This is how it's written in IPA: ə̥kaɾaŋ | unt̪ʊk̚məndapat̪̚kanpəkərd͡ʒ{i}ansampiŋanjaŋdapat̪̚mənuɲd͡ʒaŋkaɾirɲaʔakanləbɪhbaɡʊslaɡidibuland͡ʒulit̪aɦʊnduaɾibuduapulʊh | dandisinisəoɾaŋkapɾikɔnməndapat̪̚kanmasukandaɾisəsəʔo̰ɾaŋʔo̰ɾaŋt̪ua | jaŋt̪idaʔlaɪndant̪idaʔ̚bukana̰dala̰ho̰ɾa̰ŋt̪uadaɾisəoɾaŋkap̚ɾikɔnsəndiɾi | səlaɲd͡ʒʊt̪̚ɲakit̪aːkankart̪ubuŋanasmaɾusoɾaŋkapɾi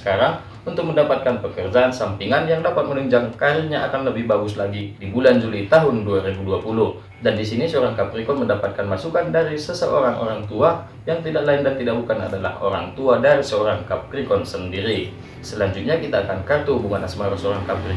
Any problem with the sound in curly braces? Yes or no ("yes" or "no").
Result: yes